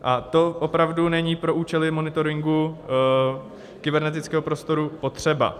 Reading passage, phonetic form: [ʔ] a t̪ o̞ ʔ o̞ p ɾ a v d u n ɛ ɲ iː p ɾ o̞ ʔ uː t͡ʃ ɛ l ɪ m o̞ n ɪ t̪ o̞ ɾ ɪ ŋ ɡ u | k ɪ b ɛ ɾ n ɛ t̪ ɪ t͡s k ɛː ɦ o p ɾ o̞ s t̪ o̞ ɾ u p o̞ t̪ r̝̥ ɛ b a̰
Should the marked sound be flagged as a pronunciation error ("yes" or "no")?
no